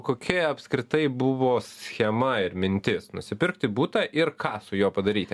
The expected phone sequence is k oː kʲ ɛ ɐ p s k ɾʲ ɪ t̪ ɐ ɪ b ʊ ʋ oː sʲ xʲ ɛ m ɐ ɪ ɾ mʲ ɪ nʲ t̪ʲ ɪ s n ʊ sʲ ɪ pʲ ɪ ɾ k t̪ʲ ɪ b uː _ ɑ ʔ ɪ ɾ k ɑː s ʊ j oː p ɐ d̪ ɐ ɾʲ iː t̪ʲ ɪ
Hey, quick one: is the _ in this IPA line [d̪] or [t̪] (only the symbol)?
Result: t̪